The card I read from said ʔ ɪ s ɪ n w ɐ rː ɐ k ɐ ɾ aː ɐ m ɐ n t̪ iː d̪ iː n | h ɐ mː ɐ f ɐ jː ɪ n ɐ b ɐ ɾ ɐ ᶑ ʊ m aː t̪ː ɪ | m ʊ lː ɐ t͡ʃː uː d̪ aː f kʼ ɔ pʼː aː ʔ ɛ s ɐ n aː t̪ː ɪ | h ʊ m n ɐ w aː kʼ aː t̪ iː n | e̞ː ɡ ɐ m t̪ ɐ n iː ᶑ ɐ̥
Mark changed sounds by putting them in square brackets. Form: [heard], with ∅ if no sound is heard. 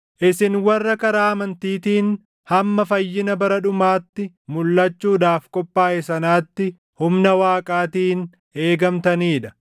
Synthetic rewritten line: ʔ ɪ s ɪ n w ɐ rː ɐ k ɐ ɾ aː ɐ m ɐ n t̪ iː [t̪] iː n | h ɐ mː ɐ f ɐ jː ɪ n ɐ b ɐ ɾ ɐ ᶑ ʊ m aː t̪ː ɪ | m ʊ lː ɐ t͡ʃː uː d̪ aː f kʼ ɔ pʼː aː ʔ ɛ s ɐ n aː t̪ː ɪ | h ʊ m n ɐ w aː kʼ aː t̪ iː n | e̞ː ɡ ɐ m t̪ ɐ n iː ᶑ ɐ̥